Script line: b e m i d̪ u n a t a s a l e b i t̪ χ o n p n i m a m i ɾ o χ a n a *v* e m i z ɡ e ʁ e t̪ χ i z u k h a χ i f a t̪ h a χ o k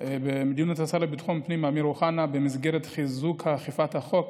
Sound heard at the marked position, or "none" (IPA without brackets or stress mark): b